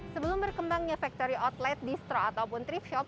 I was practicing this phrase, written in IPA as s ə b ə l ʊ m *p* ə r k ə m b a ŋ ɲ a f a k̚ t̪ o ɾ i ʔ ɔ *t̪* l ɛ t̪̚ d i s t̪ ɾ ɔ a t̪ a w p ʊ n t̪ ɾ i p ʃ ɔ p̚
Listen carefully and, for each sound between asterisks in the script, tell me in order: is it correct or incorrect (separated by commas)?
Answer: incorrect, correct